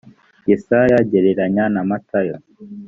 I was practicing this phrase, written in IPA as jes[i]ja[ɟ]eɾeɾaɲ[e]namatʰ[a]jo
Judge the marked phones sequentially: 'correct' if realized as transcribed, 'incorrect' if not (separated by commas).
incorrect, correct, incorrect, correct